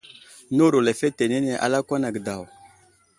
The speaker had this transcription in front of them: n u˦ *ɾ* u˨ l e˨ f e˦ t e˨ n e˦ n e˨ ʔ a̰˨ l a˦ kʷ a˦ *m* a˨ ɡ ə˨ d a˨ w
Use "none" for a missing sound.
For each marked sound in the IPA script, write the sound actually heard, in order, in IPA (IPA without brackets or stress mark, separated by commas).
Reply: ɾ, n